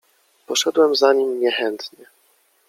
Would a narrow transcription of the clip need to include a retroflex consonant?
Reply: yes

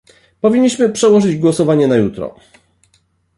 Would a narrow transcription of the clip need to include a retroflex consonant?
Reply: yes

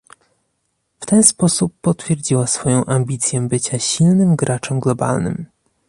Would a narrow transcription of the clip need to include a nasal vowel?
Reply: yes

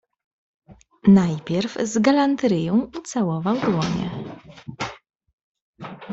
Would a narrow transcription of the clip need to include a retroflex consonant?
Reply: no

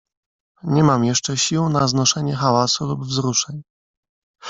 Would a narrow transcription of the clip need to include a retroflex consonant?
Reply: yes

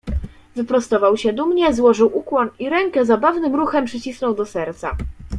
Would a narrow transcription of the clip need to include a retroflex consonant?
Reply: yes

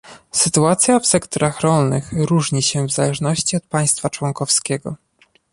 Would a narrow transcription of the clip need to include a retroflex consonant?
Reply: yes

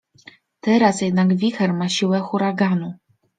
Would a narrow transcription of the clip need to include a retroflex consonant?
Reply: no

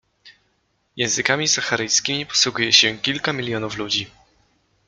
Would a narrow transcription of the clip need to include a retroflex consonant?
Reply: no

